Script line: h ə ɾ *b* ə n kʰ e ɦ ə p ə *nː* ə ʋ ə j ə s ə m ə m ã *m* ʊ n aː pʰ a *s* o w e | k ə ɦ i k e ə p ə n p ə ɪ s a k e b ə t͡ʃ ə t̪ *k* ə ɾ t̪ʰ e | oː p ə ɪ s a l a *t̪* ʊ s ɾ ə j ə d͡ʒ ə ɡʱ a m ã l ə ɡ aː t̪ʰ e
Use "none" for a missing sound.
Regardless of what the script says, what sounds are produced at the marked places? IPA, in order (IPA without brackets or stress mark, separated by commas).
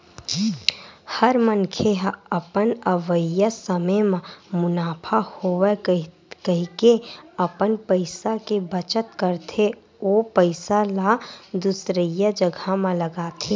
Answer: m, n, m, h, k, d̪